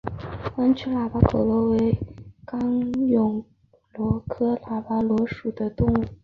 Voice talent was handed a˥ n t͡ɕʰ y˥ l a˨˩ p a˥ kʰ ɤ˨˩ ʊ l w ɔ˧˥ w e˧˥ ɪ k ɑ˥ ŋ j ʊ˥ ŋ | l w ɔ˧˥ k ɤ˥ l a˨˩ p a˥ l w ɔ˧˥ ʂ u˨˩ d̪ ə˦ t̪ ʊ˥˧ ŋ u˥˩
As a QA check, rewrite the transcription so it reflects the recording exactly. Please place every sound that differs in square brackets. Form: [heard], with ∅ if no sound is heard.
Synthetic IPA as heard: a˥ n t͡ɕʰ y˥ l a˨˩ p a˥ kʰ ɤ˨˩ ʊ l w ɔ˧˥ w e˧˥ ɪ k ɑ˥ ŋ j [ʊ˨˩] ŋ | l w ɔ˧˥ [kʰ] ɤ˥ l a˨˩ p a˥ l w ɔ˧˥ ʂ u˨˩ d̪ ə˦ t̪ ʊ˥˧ ŋ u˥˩